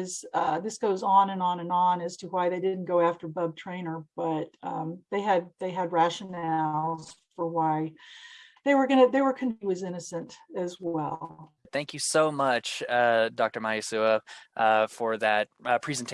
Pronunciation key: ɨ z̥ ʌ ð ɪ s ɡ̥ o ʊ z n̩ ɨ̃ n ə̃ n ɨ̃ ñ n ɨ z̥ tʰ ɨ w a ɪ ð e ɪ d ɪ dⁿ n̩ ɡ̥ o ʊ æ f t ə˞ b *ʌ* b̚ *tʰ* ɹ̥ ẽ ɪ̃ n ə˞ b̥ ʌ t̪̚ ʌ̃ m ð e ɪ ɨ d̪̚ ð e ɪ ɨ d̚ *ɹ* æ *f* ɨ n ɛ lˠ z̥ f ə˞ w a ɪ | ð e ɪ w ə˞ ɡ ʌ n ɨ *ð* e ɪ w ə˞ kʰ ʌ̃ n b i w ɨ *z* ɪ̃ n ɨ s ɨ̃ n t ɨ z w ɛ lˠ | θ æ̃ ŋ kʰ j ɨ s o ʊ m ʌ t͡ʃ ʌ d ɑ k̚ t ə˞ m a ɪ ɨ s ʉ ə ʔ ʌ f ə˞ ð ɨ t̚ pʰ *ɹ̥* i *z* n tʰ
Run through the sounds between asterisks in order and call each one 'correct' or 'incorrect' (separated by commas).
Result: correct, correct, correct, incorrect, correct, correct, correct, correct